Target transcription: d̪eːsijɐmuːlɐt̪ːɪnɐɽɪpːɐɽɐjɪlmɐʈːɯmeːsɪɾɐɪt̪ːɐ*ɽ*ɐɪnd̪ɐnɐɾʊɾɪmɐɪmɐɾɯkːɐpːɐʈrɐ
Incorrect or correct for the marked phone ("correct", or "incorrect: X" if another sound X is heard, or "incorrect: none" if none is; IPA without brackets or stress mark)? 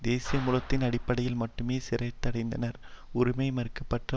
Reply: correct